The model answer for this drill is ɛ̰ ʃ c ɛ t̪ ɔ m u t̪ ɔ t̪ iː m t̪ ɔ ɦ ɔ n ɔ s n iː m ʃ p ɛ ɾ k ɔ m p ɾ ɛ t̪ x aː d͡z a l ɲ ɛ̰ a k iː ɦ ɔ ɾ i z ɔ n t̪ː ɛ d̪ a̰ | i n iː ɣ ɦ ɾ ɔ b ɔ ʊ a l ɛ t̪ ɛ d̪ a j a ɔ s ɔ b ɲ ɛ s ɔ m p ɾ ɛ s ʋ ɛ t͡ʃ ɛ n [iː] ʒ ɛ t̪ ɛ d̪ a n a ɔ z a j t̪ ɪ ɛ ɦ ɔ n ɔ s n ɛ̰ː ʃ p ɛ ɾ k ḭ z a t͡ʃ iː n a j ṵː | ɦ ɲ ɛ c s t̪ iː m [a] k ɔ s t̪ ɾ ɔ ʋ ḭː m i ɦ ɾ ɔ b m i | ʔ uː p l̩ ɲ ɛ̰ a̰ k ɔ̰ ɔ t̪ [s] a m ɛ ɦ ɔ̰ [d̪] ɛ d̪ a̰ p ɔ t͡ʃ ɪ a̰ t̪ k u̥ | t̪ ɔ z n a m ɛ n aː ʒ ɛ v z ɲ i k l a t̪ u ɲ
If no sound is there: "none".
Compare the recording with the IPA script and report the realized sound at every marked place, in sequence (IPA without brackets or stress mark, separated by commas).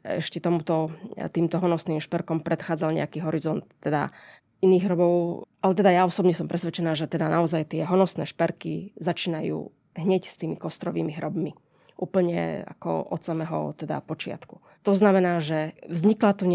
aː, i, s, t̪